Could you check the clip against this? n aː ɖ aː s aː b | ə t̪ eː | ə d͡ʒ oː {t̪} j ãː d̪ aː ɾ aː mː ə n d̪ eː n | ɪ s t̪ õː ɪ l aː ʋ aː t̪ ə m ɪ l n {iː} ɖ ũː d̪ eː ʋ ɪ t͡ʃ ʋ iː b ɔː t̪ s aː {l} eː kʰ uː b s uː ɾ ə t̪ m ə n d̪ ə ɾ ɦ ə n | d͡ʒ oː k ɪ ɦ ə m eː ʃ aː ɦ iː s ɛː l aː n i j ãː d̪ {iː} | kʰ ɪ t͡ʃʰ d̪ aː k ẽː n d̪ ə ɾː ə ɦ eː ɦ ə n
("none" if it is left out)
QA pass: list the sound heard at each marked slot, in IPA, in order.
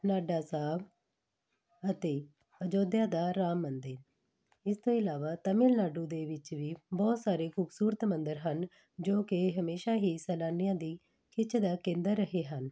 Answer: d̪, aː, ɾ, iː

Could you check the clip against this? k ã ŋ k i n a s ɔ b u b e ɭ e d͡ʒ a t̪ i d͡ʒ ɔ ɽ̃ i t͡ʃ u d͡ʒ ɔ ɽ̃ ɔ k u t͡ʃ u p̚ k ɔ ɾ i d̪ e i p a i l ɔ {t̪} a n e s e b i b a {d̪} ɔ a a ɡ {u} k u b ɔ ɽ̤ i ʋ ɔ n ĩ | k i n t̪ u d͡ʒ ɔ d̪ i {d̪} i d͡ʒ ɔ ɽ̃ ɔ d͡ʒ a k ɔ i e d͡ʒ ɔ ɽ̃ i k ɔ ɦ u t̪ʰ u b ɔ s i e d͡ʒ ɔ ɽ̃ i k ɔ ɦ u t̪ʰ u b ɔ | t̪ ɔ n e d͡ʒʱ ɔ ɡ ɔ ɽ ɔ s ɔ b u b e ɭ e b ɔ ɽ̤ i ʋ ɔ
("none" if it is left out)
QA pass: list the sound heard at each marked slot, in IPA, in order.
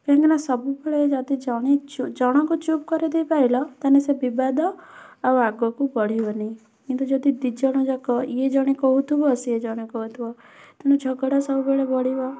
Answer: t̪, d̪, ɔ, d̪

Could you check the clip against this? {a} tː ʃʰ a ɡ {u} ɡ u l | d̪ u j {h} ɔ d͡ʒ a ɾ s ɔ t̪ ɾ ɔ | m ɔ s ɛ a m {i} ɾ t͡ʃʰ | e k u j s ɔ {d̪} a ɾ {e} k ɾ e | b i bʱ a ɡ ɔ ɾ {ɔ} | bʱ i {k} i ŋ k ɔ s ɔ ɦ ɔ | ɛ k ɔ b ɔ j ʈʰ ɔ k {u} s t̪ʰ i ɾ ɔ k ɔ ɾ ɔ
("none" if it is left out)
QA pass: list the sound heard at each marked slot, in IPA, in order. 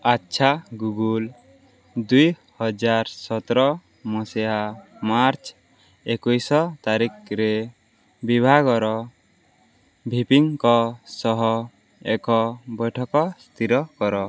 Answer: a, u, h, a, t̪, i, ɔ, p, ɔ

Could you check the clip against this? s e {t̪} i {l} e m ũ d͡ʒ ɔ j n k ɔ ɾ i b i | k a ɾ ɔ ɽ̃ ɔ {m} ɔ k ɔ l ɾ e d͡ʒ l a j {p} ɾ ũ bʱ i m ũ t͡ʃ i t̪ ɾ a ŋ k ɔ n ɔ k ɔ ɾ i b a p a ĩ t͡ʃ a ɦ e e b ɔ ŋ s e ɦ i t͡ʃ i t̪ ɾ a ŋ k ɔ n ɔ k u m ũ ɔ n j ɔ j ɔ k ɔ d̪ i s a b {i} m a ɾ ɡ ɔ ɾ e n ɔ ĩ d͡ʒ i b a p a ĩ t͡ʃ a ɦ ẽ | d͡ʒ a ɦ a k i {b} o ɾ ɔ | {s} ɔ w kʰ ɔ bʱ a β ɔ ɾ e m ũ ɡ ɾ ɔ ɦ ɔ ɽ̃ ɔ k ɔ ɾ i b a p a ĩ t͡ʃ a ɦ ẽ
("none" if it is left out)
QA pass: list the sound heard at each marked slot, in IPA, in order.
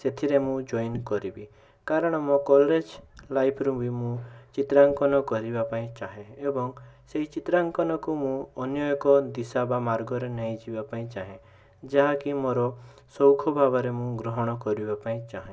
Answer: t̪ʰ, ɾ, m, pʰ, a, m, s

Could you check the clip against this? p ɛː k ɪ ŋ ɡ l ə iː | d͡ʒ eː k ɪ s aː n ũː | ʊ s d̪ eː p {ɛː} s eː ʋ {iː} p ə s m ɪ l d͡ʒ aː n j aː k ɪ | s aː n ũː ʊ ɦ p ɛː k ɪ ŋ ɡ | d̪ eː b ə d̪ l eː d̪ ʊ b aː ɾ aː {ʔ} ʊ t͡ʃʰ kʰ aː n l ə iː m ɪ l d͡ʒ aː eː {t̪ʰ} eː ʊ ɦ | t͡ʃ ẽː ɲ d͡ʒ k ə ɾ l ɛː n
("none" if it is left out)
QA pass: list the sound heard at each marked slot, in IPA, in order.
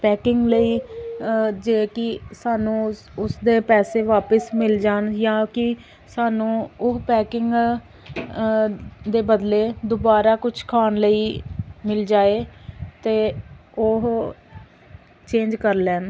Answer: ɛː, aː, k, t̪

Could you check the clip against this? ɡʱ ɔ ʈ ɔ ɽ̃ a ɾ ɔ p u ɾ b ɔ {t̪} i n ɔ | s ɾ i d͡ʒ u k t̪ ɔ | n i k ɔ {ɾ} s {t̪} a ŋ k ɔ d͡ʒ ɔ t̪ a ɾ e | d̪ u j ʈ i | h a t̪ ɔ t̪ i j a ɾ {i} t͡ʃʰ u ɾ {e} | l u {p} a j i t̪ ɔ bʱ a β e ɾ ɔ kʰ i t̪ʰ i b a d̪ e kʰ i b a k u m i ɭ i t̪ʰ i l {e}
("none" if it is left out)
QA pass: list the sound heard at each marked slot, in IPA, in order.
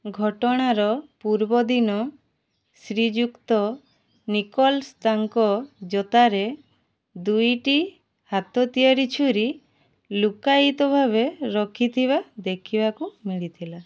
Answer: d̪, l, t̪, i, i, k, a

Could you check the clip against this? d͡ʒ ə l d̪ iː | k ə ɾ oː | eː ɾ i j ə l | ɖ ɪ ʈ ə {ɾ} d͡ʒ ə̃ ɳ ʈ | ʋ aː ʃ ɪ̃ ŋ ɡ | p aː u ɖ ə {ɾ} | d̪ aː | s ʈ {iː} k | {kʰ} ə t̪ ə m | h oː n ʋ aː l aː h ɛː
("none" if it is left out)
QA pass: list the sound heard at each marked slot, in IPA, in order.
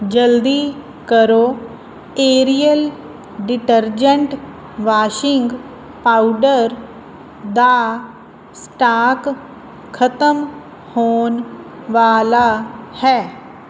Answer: ɾ, ɾ, aː, kʰ

